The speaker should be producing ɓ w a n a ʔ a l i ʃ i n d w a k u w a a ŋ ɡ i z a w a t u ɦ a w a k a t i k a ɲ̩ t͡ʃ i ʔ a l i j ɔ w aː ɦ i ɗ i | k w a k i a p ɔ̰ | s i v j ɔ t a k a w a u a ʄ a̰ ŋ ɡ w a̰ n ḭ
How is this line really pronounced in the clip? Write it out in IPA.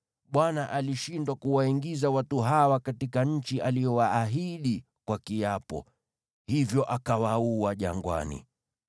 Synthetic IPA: ɓ w a n a ʔ a l i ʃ i n d w a k u w a i ŋ ɡ i z a w a t u ɦ a w a k a t i k a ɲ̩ t͡ʃ i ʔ a l i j ɔ w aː ɦ i ɗ i | k w a k i a p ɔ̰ | h i v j ɔ ʔ a k a w a u a ʄ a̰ ŋ ɡ w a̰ n ḭ